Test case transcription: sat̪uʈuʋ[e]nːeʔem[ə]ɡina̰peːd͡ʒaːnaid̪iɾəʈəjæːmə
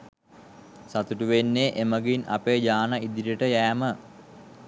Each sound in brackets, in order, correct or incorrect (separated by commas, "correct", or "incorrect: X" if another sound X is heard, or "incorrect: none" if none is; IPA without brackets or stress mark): correct, correct